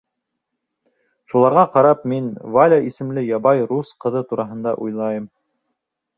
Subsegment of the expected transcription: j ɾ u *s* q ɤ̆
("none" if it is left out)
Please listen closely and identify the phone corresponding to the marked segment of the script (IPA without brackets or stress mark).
s